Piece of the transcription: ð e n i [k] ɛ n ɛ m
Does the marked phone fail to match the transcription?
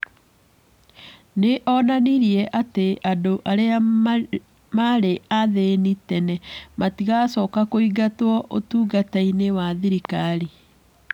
yes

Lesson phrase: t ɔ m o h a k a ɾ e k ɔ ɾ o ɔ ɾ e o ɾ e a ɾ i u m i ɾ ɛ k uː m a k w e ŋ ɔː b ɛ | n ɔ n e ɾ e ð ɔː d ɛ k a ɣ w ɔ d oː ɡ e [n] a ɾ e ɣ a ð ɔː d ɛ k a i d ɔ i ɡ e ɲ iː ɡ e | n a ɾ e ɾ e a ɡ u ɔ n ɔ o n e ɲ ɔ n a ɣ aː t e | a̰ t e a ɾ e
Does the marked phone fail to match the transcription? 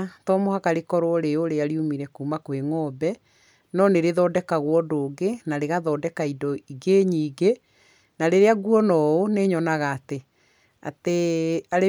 no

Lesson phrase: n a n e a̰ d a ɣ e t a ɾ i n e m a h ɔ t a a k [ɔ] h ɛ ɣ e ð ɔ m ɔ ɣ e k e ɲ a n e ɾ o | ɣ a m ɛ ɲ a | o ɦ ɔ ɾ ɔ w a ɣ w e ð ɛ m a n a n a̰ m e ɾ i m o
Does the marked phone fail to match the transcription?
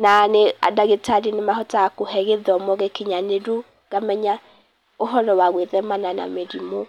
yes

